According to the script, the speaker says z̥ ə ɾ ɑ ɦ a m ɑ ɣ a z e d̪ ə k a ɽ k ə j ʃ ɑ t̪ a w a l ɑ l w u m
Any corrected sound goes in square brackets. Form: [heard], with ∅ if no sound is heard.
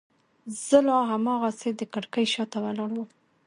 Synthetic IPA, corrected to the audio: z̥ ə [l] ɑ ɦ a m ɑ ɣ a [s] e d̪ ə k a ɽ k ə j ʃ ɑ t̪ a w a l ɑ [ɽ] w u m